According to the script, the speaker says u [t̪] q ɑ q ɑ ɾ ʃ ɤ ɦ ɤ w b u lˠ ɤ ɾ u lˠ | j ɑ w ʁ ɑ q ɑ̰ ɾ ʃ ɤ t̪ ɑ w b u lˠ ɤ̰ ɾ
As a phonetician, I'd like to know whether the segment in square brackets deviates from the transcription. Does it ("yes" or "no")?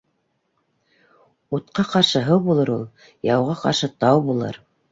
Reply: no